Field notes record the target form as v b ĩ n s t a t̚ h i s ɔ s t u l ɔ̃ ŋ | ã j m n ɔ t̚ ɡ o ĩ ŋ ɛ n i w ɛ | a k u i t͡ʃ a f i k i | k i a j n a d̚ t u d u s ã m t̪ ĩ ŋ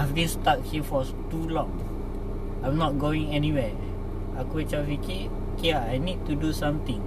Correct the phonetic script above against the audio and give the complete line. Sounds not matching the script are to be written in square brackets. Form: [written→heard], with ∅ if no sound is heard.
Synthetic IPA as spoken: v b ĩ n s t a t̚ h i [s→f] ɔ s t u l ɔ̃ ŋ | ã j m n ɔ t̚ ɡ o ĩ ŋ ɛ n i w ɛ | a k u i t͡ʃ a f i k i | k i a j n [a→i] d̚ t u d u s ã m t̪ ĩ ŋ